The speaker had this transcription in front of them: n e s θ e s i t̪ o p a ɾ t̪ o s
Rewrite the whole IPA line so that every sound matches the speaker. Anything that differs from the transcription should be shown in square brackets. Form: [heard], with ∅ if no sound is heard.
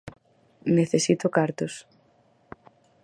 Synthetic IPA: n e [∅] θ e s i t̪ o [k] a ɾ t̪ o s